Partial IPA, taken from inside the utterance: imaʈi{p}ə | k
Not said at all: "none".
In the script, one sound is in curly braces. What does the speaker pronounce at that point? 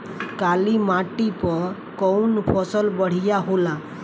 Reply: p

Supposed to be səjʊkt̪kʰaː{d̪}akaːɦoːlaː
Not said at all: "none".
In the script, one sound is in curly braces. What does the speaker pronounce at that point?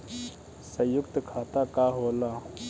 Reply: t̪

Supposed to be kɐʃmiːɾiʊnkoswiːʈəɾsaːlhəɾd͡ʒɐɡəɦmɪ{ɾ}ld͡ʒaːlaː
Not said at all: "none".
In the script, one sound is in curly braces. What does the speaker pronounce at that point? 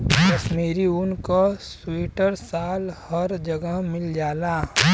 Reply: none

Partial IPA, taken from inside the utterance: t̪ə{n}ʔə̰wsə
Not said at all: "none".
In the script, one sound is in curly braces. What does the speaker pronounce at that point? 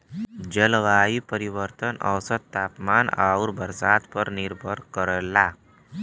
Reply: n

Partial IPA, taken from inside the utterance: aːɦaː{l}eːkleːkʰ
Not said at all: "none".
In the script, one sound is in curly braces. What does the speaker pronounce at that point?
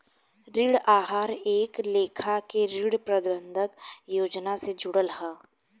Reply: ɾ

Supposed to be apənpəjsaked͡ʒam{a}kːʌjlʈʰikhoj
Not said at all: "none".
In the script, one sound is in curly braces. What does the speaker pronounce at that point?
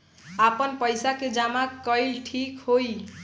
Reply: a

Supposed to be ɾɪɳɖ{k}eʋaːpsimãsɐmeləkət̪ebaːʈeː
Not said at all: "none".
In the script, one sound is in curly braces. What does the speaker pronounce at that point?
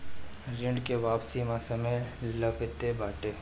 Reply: k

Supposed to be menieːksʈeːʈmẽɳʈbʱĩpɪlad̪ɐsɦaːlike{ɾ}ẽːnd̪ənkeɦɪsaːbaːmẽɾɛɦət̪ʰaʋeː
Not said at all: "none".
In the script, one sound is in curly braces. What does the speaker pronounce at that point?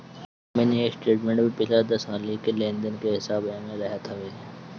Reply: l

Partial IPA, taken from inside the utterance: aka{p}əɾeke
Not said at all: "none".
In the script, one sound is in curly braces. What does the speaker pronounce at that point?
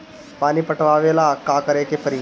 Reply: k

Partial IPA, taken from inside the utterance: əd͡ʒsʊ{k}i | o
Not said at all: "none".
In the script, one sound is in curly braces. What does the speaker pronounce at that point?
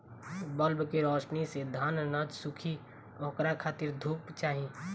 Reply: kʰ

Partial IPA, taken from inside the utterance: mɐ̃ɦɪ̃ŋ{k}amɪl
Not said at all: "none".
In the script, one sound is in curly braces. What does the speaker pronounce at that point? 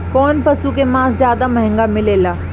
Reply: ɡ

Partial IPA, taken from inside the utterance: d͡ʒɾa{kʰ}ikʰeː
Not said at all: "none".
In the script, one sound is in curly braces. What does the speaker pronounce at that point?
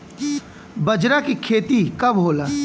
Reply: k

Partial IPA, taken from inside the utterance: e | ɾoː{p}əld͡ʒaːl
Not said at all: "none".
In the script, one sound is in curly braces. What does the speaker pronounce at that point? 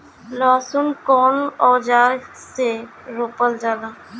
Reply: p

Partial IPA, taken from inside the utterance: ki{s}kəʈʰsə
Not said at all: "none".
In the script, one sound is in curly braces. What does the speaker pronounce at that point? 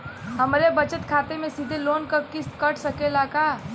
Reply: s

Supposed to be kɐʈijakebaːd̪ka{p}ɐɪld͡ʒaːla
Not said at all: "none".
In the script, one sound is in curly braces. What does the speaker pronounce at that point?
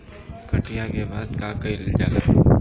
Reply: k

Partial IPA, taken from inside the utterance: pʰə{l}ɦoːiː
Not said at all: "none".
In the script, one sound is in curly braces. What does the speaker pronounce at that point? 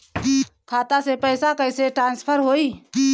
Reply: ɾ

